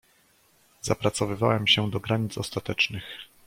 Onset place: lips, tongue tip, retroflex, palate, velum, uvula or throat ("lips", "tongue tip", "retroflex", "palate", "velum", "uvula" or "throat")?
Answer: tongue tip